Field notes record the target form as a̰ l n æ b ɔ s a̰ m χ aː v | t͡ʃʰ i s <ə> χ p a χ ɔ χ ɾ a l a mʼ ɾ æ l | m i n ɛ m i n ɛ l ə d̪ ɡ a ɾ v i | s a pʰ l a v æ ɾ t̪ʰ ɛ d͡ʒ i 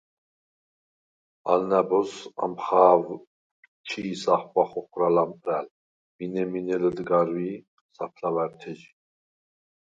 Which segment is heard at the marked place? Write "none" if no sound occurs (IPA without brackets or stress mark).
a